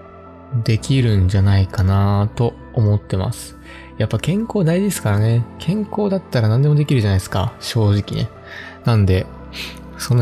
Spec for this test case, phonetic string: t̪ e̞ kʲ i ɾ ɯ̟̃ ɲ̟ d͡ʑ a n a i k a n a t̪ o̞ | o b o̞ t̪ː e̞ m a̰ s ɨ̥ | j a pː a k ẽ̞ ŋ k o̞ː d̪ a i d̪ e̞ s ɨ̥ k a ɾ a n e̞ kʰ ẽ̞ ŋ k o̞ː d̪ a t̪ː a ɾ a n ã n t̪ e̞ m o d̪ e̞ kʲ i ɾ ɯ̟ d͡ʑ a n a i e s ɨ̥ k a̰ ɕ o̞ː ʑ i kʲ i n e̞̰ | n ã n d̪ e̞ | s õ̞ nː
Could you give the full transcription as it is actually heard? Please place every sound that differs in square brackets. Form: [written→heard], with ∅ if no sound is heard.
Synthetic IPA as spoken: [t̪→d̪] e̞ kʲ i ɾ ɯ̟̃ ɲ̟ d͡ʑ a n a i k a n a t̪ o̞ | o [b→m] o̞ t̪ː e̞ m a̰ s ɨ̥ | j a pː a k ẽ̞ ŋ k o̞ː d̪ a i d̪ e̞ s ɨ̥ k a ɾ a n e̞ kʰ ẽ̞ ŋ k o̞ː d̪ a t̪ː a ɾ a n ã n [t̪→d̪] e̞ m o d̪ e̞ kʲ i ɾ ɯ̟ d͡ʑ a n a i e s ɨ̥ k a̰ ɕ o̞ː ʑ i kʲ i n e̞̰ | n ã n d̪ e̞ | s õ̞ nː